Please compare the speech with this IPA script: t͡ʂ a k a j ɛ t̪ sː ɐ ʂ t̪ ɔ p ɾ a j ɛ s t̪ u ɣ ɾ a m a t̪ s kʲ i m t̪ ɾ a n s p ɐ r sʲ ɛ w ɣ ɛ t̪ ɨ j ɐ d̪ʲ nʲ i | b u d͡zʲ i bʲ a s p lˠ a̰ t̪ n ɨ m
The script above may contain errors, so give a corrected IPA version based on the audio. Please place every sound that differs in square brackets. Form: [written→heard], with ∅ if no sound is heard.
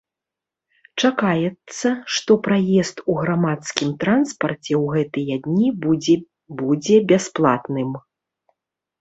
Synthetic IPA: t͡ʂ a k a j ɛ t̪ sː ɐ ʂ t̪ ɔ p ɾ a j ɛ s t̪ u ɣ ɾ a m a t̪ s kʲ i m t̪ ɾ a n s p ɐ r [sʲ→t͡sʲ] ɛ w ɣ ɛ t̪ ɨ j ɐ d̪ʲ nʲ i | b u d͡zʲ [i→ɛ] bʲ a s p lˠ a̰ t̪ n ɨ m